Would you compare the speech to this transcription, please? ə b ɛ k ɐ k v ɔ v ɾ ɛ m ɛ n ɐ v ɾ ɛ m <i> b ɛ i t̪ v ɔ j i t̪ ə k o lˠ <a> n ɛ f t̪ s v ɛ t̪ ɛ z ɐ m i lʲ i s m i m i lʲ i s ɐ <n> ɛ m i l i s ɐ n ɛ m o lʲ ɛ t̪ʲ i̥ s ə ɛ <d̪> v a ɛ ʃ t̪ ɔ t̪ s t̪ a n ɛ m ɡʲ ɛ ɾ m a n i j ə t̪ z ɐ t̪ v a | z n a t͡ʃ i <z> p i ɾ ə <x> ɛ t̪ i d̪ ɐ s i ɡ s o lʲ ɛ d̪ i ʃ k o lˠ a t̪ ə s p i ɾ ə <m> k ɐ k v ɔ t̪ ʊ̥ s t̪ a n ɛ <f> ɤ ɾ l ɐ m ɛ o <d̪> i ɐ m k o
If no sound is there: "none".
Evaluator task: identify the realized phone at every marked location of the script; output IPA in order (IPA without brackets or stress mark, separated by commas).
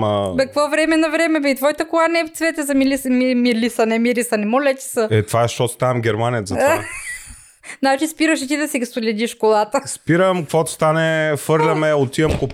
ɛ, a, n, t̪, s, ʃ, m, f, t̪